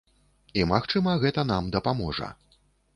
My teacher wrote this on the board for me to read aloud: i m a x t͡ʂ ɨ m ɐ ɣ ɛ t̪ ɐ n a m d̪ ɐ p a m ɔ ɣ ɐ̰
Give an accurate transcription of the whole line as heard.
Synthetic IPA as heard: i m a x t͡ʂ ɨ m ɐ ɣ ɛ t̪ ɐ n a m d̪ ɐ p a m ɔ ʐ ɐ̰

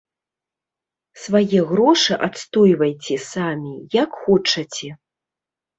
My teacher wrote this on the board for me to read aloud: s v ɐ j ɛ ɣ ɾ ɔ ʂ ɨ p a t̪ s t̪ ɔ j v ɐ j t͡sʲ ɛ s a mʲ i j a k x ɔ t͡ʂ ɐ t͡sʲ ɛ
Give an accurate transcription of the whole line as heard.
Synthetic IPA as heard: s v a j ɛ ɣ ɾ ɔ ʂ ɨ ʔ a t̪ s t̪ ɔ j v ɐ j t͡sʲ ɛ s a mʲ i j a k x ɔ t͡ʂ ɐ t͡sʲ ɛ

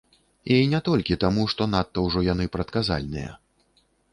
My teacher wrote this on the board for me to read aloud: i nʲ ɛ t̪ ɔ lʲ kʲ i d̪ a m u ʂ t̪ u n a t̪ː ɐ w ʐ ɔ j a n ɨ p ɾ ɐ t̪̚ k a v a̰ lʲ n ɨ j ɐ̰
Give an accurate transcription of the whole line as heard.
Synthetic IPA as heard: i nʲ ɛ t̪ ɔ lʲ kʲ i t̪ a m u ʂ t̪ ɔ n a t̪ː ɐ w ʐ ɔ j a n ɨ p ɾ ɐ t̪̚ k a z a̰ lʲ n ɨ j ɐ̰

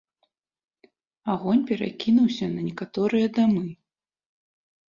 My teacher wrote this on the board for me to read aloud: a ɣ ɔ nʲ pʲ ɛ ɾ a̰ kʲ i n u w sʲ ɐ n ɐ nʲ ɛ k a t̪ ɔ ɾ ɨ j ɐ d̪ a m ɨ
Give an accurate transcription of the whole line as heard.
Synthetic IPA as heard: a ɣ ɔ nʲ pʲ ɛ ɾ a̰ kʲ i n u w sʲ ɐ n ɐ nʲ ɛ k a t̪ ɔ ɾ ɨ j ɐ d̪ a m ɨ

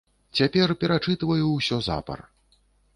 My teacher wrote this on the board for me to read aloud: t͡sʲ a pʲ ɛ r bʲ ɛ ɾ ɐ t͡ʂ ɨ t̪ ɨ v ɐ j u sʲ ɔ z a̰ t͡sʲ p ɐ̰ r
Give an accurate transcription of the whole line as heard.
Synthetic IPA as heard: t͡sʲ a pʲ ɛ r pʲ ɛ ɾ a t͡ʂ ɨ t̪ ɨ v ɐ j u sʲ ɔ z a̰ p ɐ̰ r

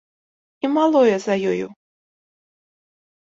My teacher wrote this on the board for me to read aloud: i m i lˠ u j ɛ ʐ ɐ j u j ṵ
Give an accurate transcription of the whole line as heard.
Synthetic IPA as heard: i m a lˠ ɔ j ɛ z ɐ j ɔ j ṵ

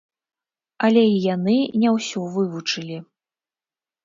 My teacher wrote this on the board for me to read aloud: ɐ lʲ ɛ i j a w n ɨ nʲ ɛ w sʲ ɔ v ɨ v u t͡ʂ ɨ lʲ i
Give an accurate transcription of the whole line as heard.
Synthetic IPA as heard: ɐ lʲ ɛ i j a n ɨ nʲ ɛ w sʲ ɔ v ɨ v u t͡ʂ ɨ lʲ i

